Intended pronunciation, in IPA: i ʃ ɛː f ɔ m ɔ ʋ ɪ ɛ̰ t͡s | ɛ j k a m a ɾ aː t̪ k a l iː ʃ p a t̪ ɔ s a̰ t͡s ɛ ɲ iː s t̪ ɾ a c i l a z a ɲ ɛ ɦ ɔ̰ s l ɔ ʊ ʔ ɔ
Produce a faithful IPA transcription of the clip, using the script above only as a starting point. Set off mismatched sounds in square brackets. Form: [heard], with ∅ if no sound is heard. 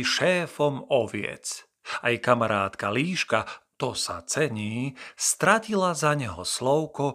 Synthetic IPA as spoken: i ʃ ɛː f ɔ m ɔ ʋ ɪ ɛ̰ t͡s | [a] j k a m a ɾ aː t̪ k a l iː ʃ [k] a t̪ ɔ s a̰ t͡s ɛ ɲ iː s t̪ ɾ a c i l a z a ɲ ɛ ɦ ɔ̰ s l ɔ ʊ [k] ɔ